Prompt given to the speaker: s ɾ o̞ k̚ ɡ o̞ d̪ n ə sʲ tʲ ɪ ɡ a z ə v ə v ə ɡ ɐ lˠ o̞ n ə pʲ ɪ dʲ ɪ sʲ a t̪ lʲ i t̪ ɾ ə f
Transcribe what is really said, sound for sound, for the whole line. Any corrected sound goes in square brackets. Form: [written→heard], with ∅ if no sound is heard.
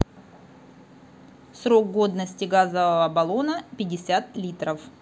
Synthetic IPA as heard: s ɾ o̞ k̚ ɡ o̞ d̪ n ə sʲ tʲ ɪ ɡ a z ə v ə v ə [ɡ→b] ɐ lˠ o̞ n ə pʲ ɪ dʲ ɪ sʲ a t̪ lʲ i t̪ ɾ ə f